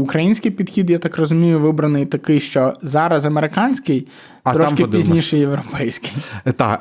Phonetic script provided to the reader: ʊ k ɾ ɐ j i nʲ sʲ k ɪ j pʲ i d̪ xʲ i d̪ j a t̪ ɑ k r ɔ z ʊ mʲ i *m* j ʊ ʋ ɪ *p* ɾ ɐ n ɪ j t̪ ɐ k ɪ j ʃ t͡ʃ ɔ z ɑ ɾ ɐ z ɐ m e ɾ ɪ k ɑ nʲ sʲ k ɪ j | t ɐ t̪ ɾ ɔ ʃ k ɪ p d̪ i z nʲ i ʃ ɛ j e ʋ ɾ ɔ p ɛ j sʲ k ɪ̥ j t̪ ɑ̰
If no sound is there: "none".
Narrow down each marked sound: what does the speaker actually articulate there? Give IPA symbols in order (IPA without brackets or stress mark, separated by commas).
none, b